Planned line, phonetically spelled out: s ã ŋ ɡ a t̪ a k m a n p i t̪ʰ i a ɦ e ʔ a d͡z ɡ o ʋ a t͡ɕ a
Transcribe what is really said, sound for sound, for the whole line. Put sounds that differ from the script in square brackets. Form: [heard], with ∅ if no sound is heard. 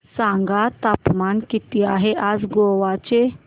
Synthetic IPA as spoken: s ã ŋ ɡ a t̪ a [p] m a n [k] i [t̪] i a ɦ e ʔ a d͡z ɡ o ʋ a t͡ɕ [e]